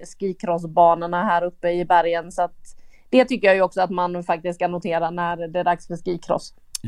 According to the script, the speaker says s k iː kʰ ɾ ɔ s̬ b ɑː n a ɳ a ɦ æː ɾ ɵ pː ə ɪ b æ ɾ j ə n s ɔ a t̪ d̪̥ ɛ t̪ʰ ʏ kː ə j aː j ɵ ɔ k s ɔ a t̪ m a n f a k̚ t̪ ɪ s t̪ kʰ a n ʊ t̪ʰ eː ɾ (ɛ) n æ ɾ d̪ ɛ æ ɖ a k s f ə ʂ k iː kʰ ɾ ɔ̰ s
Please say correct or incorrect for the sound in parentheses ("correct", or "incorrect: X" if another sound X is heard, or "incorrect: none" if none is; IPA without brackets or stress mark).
incorrect: a